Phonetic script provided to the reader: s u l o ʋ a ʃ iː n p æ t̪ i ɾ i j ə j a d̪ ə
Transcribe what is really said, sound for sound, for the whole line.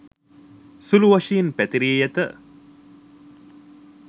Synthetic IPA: s u l u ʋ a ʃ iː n p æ t̪ i ɾ i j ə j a t̪ ə